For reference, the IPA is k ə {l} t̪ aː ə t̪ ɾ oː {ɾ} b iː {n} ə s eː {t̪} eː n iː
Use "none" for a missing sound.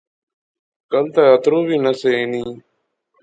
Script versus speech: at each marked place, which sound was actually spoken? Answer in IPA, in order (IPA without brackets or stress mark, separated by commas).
l, none, n, none